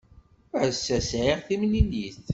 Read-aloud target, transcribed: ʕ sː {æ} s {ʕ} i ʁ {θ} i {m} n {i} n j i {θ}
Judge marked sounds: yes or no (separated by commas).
yes, yes, yes, yes, yes, yes